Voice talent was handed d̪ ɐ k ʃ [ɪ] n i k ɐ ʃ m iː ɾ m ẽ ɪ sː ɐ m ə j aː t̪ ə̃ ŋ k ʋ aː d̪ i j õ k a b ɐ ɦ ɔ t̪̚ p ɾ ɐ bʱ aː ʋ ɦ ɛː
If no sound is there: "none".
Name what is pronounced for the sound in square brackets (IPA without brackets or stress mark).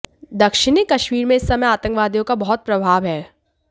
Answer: ɪ